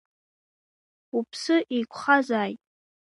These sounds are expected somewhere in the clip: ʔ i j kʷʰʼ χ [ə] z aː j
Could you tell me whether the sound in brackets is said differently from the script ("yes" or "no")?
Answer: yes